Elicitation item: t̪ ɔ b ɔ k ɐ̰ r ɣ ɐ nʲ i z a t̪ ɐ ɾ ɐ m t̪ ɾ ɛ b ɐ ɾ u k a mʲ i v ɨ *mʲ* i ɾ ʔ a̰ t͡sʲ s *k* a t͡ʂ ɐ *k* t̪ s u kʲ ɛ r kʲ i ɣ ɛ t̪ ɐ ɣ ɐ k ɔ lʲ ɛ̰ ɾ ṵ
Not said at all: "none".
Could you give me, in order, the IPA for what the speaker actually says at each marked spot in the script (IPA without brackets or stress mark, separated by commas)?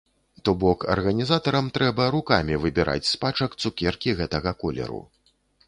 bʲ, p, k